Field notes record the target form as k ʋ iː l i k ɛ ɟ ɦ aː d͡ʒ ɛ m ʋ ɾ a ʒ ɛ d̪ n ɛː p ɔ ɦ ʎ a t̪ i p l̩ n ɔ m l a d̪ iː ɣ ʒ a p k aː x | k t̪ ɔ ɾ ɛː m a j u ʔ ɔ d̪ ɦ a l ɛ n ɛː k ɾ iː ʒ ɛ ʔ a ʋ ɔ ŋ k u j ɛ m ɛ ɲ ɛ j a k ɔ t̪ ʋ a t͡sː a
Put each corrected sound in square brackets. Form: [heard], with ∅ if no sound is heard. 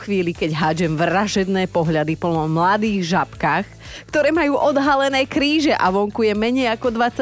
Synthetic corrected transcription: [x] ʋ iː l i k ɛ ɟ ɦ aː d͡ʒ ɛ m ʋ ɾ a ʒ ɛ d̪ n ɛː p ɔ ɦ ʎ a [d̪] i p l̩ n ɔ m l a d̪ iː ɣ ʒ a p k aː x | k t̪ ɔ ɾ ɛː m a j [uː] ʔ ɔ d̪ ɦ a l ɛ n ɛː k ɾ iː ʒ ɛ ʔ a ʋ ɔ ŋ k u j ɛ m ɛ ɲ ɛ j a k ɔ [d̪] ʋ a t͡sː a